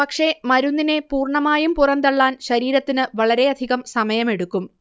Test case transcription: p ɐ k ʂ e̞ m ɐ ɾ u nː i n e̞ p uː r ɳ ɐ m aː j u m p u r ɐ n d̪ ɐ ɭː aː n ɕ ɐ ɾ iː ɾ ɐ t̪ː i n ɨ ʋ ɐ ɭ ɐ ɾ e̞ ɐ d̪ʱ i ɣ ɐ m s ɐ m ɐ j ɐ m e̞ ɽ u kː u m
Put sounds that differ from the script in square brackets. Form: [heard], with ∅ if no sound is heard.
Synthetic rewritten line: p ɐ k ʂ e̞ m ɐ ɾ u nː i n e̞ p uː r ɳ ɐ m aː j u m p u r ɐ n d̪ ɐ ɭː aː n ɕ ɐ ɾ iː ɾ ɐ t̪ː i n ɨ ʋ ɐ ɭ ɐ ɾ e̞ ɐ d̪ʱ i ɣ ɐ m s ɐ m ɐ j ɐ m e̞ ɽ u kː u m

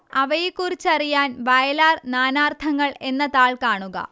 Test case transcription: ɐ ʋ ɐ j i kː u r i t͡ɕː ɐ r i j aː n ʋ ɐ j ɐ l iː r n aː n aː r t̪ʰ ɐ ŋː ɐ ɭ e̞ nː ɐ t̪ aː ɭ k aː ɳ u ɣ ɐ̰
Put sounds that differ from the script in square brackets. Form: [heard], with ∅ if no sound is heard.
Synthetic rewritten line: ɐ ʋ ɐ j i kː u r i t͡ɕː ɐ r i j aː n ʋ ɐ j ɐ l [aː] r n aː n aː r t̪ʰ ɐ ŋː ɐ ɭ e̞ nː ɐ t̪ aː ɭ k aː ɳ u ɣ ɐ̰

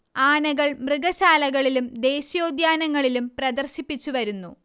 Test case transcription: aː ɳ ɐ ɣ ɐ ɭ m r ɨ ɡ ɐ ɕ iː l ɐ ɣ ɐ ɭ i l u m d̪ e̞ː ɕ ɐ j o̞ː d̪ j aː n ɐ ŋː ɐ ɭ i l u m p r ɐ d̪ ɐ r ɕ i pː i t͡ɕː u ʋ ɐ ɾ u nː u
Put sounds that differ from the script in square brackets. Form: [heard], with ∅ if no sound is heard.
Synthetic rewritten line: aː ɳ ɐ ɣ ɐ ɭ m r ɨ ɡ ɐ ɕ [aː] l ɐ ɣ ɐ ɭ i l u m d̪ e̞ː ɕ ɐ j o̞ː d̪ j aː n ɐ ŋː ɐ ɭ i l u m p r ɐ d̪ ɐ r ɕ i pː i t͡ɕː u ʋ ɐ ɾ u nː u

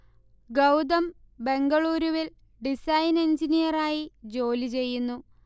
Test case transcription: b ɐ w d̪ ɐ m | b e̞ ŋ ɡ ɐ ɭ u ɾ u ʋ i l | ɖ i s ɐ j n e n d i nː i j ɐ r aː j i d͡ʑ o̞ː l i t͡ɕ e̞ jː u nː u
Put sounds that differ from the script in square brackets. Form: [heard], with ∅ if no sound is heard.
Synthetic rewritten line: [ɡ] ɐ w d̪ ɐ m | b e̞ ŋ ɡ ɐ ɭ [uː] ɾ u ʋ i l | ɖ i s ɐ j n e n [d͡ʑ] i [n] i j ɐ r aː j i d͡ʑ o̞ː l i t͡ɕ e̞ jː u nː u

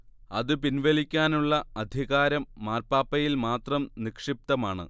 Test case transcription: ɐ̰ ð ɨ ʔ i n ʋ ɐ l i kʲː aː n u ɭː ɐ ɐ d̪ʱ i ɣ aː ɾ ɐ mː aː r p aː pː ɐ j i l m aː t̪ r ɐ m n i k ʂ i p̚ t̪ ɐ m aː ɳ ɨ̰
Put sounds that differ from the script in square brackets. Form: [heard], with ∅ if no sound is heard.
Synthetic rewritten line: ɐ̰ ð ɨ [p] i n ʋ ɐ l i kʲː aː n u ɭː ɐ ɐ d̪ʱ i ɣ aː ɾ ɐ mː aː r p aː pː ɐ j i l m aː t̪ r ɐ m n i k ʂ i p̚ t̪ ɐ m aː ɳ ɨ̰

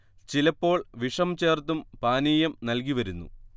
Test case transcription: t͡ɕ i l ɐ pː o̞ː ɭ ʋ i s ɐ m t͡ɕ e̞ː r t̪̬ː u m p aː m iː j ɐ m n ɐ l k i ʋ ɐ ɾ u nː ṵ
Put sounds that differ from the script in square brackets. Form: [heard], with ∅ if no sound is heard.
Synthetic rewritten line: t͡ɕ i l ɐ pː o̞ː ɭ ʋ i [ʂ] ɐ m t͡ɕ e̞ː r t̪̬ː u m p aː [n] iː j ɐ m n ɐ l k i ʋ ɐ ɾ u nː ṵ

